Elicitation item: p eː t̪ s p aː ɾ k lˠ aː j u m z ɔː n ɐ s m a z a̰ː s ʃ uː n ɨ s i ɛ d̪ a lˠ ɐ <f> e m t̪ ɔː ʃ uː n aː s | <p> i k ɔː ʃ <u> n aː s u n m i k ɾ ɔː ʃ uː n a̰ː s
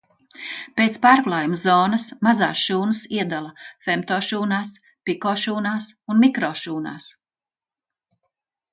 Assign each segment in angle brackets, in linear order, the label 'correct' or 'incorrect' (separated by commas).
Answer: correct, correct, incorrect